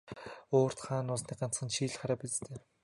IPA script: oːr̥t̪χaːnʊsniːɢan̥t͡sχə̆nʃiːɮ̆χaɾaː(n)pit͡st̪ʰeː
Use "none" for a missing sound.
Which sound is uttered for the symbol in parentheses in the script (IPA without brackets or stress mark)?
none